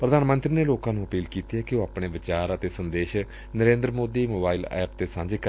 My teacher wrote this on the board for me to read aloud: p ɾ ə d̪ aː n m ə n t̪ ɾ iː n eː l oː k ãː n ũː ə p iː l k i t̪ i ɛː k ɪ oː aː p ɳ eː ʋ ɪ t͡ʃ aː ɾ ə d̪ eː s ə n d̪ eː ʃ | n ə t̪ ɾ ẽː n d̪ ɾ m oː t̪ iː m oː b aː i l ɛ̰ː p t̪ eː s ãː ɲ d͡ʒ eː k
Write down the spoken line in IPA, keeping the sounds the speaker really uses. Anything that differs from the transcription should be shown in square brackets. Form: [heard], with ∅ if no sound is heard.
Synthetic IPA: p ɾ ə d̪ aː n m ə n t̪ ɾ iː n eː l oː k ãː n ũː ə p iː l k [iː] t̪ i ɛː k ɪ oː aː p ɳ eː ʋ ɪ t͡ʃ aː ɾ ə [t̪] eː s ə n d̪ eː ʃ | n ə [∅] ɾ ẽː n d̪ ɾ m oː [d̪] iː m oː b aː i l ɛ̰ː p t̪ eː s ãː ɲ d͡ʒ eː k